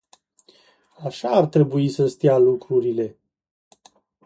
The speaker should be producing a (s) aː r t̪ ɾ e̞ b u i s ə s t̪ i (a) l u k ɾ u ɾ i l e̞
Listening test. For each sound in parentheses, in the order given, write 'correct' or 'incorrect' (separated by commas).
incorrect, correct